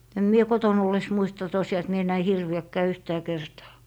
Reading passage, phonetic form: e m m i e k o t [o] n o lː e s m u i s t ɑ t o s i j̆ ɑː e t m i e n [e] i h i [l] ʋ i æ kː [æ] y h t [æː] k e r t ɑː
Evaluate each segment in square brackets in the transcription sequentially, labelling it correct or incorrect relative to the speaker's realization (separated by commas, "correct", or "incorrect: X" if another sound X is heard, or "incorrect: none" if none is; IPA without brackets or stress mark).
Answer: correct, incorrect: æ, incorrect: r, incorrect: æː, correct